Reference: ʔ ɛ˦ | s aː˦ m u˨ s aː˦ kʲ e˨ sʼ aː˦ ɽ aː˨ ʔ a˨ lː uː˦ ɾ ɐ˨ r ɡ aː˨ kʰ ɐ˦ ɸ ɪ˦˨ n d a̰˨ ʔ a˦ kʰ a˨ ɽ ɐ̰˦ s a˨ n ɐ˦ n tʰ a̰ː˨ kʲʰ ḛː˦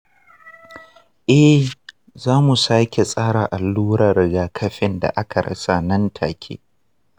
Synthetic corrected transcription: ʔ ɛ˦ | z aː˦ m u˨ s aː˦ kʲ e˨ sʼ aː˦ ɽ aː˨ ʔ a˨ lː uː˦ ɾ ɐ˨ r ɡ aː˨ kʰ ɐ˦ ɸ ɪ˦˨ n d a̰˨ ʔ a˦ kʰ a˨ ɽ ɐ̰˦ s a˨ n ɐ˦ n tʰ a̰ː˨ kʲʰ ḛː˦